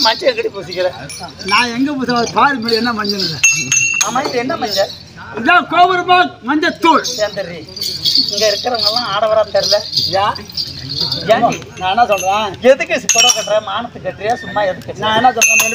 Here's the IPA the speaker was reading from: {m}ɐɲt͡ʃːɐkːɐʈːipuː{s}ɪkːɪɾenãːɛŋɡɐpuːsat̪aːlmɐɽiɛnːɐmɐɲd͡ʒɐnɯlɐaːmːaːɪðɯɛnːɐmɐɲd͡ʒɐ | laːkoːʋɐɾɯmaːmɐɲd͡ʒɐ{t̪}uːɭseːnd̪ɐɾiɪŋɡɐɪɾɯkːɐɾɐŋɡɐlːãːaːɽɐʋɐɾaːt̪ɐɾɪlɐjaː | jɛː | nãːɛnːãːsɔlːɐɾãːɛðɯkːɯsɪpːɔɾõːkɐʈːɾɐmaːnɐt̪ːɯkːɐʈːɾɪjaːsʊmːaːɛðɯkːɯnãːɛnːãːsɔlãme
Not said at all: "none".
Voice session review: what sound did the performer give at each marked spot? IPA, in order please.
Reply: m, s, t̪

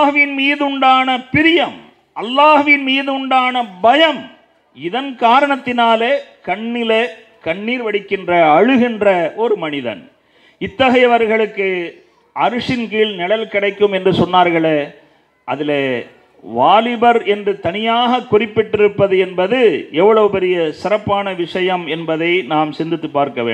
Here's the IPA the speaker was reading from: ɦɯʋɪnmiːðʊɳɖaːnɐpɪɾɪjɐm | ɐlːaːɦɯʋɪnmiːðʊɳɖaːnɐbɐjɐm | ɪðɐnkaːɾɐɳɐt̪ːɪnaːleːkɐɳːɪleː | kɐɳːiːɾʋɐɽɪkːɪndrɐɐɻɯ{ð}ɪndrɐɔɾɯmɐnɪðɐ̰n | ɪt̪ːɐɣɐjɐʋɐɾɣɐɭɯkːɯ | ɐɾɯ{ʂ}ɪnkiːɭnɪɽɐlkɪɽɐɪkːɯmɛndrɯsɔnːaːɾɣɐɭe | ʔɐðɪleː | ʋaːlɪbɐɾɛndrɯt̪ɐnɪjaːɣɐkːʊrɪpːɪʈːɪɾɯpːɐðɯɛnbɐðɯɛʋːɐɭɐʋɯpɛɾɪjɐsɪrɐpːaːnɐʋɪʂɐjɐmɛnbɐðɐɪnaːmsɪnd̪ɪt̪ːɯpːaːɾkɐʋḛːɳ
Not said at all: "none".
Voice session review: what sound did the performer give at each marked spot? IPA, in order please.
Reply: ɣ, ʂ

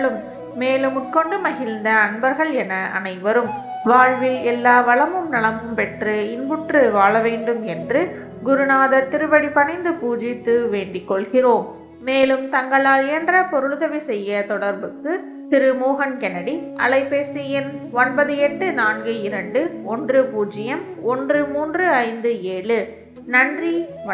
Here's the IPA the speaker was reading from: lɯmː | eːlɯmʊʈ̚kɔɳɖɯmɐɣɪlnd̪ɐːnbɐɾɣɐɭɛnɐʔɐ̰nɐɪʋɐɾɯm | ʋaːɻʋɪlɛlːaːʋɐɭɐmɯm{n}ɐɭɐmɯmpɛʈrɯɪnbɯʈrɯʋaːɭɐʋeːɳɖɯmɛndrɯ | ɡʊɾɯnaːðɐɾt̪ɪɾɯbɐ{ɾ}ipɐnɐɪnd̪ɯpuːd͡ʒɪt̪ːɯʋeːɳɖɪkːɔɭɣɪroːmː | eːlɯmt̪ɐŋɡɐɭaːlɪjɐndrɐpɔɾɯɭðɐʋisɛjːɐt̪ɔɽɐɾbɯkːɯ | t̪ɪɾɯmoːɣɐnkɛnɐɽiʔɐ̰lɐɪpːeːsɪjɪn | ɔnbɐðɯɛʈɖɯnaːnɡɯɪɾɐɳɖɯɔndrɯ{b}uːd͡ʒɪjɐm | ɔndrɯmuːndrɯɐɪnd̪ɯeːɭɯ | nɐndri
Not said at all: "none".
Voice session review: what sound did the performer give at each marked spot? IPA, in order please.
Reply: n, ɽ, p

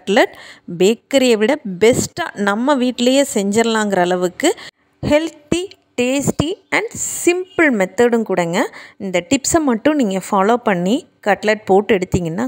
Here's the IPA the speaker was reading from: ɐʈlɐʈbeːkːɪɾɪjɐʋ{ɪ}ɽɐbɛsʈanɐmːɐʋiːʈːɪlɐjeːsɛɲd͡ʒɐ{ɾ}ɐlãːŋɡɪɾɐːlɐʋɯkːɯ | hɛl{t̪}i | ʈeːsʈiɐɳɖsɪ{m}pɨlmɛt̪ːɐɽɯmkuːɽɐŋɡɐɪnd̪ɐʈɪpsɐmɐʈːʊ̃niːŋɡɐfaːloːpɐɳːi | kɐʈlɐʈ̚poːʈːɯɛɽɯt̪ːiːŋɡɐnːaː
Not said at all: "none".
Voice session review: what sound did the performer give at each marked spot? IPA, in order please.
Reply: ɪ, ɾ, t̪, m

